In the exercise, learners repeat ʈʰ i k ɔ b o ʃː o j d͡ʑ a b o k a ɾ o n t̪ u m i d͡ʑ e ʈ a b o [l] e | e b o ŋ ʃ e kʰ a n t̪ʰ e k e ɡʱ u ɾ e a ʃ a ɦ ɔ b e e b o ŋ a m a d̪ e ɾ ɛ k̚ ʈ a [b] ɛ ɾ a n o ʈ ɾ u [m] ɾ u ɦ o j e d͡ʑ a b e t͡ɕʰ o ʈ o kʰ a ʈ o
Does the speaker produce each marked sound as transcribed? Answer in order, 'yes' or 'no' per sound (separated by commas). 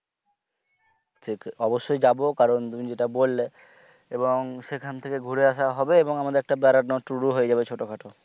no, yes, no